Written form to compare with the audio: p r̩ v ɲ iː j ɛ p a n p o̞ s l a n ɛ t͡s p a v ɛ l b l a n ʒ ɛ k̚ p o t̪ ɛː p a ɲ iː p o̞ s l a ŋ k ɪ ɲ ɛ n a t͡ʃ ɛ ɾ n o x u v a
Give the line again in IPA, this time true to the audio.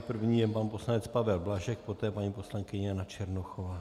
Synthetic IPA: p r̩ v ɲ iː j ɛ p a n p o̞ s l a n ɛ t͡s p a v ɛ l b l a ʒ ɛ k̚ p o t̪ ɛː p a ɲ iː p o̞ s l a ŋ k ɪ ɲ ɛ n a t͡ʃ ɛ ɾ n o x o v a